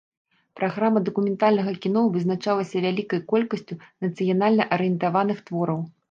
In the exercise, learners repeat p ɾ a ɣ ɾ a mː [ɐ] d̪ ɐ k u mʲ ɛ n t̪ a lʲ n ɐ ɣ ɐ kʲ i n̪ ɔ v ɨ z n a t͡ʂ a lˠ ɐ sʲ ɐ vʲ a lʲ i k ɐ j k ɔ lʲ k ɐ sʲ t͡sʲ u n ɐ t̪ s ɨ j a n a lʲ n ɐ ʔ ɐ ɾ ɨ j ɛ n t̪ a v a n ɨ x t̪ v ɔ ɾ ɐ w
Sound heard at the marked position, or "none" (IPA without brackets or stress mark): ɐ